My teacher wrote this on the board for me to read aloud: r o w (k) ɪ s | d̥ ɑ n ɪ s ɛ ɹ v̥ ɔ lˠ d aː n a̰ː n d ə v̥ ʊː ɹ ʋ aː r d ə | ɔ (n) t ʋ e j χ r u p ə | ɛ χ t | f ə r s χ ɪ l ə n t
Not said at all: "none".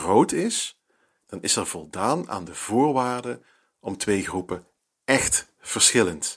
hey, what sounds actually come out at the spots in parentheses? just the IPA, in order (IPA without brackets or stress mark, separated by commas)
t, m